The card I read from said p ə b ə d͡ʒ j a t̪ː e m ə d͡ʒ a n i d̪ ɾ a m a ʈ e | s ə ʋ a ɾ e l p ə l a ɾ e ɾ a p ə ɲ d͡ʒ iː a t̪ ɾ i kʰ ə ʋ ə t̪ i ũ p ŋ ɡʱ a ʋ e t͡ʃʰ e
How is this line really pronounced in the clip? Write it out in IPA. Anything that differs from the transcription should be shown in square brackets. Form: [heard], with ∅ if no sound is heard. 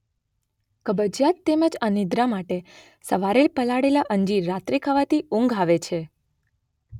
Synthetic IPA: [k] ə b ə d͡ʒ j a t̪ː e m ə d͡ʒ a n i d̪ ɾ a m a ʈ e | s ə ʋ a ɾ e l p ə l a [ɽ] e [l] a [ʔ] ə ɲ d͡ʒ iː a t̪ ɾ i kʰ ə ʋ [a] t̪ i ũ [∅] ŋ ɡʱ a ʋ e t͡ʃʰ e